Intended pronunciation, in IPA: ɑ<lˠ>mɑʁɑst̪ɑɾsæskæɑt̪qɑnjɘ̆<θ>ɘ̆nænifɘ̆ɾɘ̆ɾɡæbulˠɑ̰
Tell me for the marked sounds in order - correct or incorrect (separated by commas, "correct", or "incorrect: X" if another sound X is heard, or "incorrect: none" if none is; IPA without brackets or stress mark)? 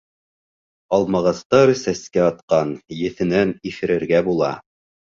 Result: correct, correct